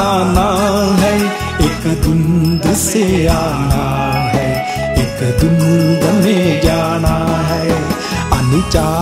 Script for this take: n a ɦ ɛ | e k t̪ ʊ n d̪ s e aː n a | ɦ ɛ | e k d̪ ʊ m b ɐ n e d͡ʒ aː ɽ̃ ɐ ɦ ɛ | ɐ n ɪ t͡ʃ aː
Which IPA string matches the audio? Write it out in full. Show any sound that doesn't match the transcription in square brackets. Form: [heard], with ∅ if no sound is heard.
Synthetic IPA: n a ɦ ɛ | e k [d̪] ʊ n d̪ s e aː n a | ɦ ɛ | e k d̪ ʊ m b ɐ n e d͡ʒ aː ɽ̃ [a] ɦ ɛ | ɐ n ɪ t͡ʃ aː